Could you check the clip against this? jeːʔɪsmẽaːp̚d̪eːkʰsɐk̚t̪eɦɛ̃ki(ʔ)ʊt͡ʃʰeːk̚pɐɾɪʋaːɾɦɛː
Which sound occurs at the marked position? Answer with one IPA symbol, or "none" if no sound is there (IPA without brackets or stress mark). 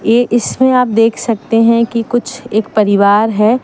k